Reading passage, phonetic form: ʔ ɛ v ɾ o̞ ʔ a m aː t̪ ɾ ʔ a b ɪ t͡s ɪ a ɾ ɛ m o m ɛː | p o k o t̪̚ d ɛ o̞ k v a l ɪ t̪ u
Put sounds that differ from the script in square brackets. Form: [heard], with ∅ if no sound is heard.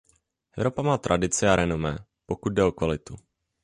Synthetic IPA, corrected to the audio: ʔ ɛ v ɾ o̞ [p] a m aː t̪ ɾ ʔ a [d] ɪ t͡s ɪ a ɾ ɛ [n] o m ɛː | p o k [u] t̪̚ d ɛ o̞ k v a l ɪ t̪ u